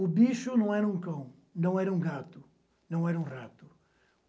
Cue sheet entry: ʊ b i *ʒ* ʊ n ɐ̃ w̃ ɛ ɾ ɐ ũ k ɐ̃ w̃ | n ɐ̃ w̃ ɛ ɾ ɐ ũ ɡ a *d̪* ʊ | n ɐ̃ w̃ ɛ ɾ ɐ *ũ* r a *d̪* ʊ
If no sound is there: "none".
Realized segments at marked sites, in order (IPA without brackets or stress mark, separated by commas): ʃ, t̪, ũ, t̪